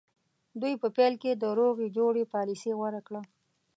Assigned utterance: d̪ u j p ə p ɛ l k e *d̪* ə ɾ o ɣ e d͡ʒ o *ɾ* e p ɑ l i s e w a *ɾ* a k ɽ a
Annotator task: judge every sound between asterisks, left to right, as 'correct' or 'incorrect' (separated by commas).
correct, incorrect, correct